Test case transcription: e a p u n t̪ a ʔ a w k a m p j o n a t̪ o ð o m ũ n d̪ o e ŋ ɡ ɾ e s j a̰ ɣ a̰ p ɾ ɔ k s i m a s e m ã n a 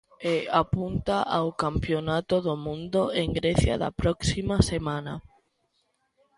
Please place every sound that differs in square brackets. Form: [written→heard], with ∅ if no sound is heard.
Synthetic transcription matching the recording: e a p u n t̪ a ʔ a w k a m p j o n a t̪ o ð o m ũ n d̪ o e ŋ ɡ ɾ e [s→θ] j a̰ [ɣ→ð] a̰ p ɾ ɔ k s i m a s e m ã n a